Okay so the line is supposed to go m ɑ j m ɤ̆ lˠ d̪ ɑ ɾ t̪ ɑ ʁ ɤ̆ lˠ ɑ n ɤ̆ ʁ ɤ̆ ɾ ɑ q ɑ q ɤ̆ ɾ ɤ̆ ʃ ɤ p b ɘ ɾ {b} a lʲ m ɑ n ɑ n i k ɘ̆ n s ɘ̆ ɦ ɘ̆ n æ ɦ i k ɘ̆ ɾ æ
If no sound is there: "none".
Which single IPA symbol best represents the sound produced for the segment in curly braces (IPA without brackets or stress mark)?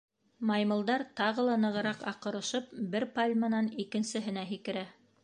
p